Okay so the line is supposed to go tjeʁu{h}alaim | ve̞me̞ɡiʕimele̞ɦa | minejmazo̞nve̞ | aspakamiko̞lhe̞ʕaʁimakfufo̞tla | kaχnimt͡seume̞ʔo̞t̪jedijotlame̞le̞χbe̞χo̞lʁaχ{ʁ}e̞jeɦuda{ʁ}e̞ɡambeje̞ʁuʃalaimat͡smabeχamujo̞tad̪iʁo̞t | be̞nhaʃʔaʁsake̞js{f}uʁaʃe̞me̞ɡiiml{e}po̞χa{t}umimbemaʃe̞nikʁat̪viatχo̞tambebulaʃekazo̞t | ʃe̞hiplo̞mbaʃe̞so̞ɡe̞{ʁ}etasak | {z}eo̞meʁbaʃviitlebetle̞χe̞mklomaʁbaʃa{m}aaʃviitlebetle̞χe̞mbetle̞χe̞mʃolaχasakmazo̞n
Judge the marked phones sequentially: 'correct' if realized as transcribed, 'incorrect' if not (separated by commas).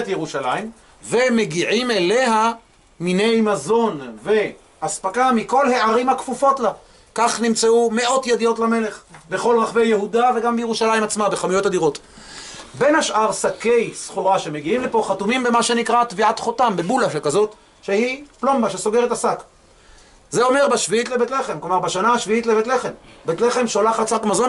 incorrect, incorrect, incorrect, incorrect, correct, correct, correct, correct, incorrect